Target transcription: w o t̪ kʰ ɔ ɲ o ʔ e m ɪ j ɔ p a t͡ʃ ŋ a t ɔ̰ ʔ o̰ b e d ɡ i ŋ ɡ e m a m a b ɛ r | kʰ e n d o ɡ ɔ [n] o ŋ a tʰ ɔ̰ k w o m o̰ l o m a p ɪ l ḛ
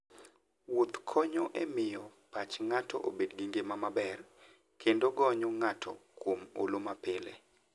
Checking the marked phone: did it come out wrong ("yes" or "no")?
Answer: yes